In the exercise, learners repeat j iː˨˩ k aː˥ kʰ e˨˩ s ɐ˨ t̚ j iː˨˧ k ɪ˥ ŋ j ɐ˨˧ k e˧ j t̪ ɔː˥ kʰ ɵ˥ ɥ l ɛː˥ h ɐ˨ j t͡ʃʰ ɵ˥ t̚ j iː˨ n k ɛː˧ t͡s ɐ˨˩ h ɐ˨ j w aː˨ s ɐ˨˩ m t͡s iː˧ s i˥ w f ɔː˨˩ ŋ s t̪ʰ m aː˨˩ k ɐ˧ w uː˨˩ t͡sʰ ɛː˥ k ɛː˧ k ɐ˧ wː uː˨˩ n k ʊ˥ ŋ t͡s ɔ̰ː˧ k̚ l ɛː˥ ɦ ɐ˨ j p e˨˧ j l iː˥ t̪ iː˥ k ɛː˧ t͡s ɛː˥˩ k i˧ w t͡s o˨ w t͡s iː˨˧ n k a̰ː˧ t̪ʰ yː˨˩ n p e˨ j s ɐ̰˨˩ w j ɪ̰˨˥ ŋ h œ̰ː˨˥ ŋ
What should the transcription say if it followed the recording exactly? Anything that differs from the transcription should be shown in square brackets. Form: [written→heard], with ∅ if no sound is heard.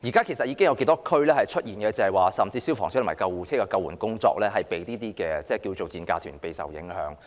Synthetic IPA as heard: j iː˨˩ k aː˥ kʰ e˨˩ s ɐ˨ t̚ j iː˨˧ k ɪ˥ ŋ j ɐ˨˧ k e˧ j t̪ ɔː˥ kʰ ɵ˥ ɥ l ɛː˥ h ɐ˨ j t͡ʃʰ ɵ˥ t̚ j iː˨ n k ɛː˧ t͡s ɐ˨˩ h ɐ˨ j w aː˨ s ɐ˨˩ m t͡s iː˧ s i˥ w f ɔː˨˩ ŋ s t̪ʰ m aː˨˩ k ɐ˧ w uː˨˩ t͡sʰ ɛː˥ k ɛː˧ k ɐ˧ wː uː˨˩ n k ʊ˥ ŋ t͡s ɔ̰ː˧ k̚ l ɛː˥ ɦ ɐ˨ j p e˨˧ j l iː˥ t̪ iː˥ k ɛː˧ t͡s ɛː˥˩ k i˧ w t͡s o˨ w t͡s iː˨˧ n k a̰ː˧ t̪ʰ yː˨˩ n p e˨ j s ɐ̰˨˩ w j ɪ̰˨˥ ŋ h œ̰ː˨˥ ŋ